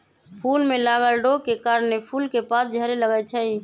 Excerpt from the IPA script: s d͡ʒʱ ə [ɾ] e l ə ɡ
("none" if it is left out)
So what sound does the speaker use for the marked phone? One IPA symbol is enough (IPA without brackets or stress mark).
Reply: ɾ